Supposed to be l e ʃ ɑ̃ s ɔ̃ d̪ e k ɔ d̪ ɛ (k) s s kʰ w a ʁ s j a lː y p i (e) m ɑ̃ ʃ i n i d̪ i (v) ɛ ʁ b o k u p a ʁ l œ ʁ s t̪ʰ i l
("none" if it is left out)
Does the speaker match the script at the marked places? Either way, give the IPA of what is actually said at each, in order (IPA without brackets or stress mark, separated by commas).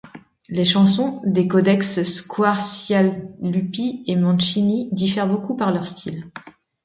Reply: k, e, f